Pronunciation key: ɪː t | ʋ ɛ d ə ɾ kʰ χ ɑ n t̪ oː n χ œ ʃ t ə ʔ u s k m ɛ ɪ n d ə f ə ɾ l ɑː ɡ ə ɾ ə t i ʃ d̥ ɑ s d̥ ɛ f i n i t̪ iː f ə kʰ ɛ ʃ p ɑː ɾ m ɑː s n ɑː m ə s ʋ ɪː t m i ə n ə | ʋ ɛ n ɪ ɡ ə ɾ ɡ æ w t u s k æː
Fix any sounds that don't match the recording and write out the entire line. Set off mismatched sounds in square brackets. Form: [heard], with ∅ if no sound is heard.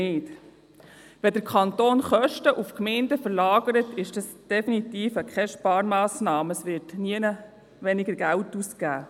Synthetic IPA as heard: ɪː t | ʋ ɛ d ə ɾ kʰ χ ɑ n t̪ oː n χ œ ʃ t ə ʔ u [f] k m ɛ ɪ n d ə f ə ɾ l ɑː ɡ ə ɾ ə t [ɪ] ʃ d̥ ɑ s d̥ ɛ f i n i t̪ iː f ə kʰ ɛ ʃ p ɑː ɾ m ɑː s n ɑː m ə s ʋ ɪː t [n] i ə n ə | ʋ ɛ n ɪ ɡ ə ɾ ɡ æ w t u s k æː

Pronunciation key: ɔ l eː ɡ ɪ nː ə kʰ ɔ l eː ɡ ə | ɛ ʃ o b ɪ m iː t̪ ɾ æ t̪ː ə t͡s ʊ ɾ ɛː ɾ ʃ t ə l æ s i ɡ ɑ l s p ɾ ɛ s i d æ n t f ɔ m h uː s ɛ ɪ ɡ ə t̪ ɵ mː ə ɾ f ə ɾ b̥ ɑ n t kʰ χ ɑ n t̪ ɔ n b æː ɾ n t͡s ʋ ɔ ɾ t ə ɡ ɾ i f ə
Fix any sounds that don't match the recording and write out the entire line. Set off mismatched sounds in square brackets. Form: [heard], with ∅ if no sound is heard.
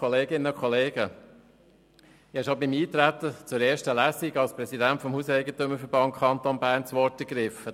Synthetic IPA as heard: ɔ l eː ɡ ɪ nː ə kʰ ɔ l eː ɡ ə | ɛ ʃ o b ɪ m iː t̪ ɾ æ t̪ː ə t͡s ʊ ɾ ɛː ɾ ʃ t ə l æ s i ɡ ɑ l s p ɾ ɛ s i d æ n t f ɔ m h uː s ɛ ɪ ɡ ə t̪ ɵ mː ə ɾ f ə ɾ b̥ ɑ n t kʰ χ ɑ n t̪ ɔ n b æː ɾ n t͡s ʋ ɔ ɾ t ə ɡ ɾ [ɪ] f ə

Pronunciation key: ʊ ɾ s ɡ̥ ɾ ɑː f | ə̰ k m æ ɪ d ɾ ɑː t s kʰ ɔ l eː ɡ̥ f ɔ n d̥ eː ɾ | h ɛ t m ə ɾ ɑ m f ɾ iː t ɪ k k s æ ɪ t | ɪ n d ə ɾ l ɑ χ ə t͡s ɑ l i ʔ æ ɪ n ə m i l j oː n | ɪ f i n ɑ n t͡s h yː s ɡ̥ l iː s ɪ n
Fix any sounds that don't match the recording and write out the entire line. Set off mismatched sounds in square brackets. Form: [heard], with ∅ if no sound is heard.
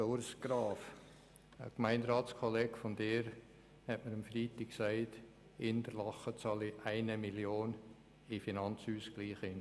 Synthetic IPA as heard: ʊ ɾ s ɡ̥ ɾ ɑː f | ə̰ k m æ ɪ [n] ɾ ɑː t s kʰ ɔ l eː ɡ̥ f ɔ n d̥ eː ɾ | h ɛ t m ə ɾ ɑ m f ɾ iː t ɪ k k s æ ɪ t | ɪ n d ə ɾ l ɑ χ ə t͡s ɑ l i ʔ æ ɪ n ə m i l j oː n | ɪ f i n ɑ n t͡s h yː s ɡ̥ l iː [χ] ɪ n

